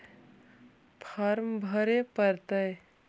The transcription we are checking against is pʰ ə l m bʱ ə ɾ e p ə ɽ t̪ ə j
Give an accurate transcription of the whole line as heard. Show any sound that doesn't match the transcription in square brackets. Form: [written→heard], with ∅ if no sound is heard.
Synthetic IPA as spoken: pʰ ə [l→ɾ] m bʱ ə ɾ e p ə [ɽ→ɾ] t̪ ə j